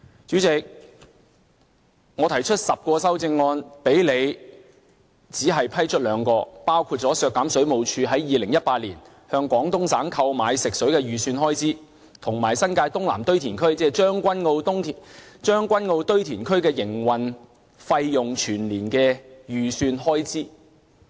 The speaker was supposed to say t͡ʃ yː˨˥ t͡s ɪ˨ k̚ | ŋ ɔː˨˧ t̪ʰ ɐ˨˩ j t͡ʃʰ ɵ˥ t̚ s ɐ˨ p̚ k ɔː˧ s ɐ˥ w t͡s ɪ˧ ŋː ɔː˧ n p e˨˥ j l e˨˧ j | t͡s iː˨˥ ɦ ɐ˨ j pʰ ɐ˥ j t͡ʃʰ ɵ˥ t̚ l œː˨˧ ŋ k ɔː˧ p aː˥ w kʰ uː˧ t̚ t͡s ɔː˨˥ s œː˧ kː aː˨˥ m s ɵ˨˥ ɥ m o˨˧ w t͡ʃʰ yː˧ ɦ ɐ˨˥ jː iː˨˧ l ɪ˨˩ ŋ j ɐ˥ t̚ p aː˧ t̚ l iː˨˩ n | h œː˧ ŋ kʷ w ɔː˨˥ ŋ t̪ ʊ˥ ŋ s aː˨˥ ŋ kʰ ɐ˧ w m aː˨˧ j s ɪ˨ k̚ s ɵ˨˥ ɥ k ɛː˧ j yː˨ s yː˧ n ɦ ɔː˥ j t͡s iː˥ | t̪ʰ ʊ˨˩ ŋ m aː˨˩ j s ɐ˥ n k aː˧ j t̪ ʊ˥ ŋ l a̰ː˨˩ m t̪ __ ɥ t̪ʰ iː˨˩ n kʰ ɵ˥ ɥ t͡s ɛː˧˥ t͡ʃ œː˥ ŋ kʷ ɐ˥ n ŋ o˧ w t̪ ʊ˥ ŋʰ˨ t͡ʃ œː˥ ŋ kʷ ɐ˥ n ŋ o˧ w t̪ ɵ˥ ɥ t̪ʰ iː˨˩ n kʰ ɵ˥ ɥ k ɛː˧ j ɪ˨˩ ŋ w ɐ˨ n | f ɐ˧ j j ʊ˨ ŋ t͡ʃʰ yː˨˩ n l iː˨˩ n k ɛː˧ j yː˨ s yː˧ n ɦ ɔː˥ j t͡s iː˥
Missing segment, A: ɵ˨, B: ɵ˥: B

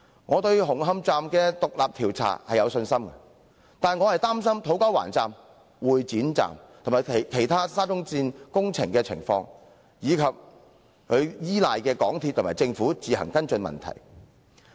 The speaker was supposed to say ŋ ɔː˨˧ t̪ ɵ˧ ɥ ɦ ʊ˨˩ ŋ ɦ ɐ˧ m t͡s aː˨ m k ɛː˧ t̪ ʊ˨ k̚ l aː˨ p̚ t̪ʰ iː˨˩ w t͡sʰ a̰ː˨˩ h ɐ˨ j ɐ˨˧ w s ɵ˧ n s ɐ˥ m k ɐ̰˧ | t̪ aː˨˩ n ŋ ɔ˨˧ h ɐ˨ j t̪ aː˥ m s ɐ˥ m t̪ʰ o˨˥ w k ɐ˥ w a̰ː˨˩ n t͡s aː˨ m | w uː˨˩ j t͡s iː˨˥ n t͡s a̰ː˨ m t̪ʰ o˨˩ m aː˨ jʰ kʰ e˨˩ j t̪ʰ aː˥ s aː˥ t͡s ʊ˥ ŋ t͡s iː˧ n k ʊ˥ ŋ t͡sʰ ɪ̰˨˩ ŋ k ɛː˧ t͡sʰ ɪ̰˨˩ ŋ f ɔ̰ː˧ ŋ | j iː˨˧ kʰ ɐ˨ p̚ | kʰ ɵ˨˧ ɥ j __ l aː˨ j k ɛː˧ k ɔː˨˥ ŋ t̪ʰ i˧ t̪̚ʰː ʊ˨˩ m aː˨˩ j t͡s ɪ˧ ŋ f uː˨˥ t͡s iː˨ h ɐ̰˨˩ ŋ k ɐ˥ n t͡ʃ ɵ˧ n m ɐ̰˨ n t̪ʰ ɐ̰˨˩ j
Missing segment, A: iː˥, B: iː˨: A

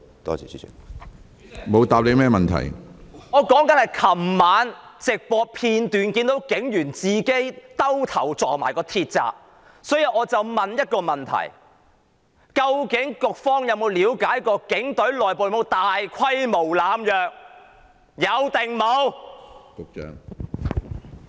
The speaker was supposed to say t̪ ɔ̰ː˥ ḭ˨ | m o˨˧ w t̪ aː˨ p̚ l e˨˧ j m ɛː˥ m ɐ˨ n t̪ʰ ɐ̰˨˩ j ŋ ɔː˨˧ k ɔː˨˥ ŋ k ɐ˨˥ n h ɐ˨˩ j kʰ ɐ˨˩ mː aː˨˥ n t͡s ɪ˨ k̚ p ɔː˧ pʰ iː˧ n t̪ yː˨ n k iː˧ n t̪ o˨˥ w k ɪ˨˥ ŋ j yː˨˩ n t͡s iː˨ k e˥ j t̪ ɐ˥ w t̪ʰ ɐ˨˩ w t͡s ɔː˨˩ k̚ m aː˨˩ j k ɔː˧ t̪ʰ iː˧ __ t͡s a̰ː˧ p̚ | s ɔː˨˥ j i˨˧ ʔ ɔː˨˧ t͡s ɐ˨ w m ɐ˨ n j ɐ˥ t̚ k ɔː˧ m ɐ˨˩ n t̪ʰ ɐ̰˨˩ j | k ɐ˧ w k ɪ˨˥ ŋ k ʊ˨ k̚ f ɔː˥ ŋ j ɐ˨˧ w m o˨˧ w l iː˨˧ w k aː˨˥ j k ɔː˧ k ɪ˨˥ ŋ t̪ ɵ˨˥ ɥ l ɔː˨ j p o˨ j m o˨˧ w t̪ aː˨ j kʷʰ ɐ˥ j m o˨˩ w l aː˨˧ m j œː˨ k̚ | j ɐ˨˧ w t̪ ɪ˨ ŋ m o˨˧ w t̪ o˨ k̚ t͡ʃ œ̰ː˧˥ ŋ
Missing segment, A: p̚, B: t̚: B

